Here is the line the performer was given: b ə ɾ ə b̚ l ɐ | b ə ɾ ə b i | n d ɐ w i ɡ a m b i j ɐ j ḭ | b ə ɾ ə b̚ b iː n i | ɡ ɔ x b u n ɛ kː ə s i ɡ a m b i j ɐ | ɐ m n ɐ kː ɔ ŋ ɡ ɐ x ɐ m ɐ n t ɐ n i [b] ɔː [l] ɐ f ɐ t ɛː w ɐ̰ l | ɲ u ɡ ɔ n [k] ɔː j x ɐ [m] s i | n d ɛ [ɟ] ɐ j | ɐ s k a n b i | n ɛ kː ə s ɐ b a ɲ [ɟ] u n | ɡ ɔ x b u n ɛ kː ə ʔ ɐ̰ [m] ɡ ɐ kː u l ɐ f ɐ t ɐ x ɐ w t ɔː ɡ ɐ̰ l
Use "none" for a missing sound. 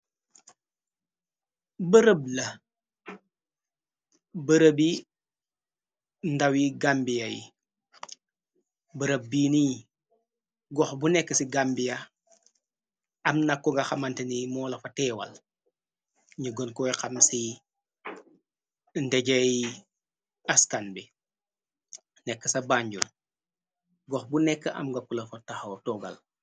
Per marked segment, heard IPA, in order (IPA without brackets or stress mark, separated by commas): m, l, k, m, ɟ, ɟ, m